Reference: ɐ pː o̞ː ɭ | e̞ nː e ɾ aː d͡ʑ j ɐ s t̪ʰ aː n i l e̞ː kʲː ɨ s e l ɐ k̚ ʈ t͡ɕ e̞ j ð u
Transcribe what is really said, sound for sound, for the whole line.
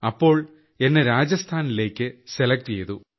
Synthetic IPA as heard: ɐ pː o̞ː ɭ | e̞ nː e ɾ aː d͡ʑ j ɐ s t̪ʰ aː n i l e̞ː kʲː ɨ s e l ɐ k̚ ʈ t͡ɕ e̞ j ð u